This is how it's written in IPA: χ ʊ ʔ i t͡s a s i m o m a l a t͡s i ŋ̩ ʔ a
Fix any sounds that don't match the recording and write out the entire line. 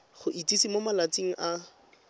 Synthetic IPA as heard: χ ʊ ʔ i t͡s i s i m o m a l a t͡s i ŋ̩ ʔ a